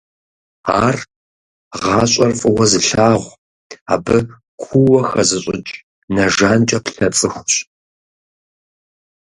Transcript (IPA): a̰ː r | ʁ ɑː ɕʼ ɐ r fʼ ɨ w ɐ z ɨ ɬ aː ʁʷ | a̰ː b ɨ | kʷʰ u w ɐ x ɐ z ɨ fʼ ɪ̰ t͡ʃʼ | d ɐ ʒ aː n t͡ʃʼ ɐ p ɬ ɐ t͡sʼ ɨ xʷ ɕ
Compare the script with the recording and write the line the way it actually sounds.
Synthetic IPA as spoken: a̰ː r | ʁ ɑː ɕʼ ɐ r fʼ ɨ w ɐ z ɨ ɬ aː ʁʷ | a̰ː b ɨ | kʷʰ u w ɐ x ɐ z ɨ ɕʼ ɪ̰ t͡ʃʼ | n ɐ ʒ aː n t͡ʃʼ ɐ p ɬ ɐ t͡sʼ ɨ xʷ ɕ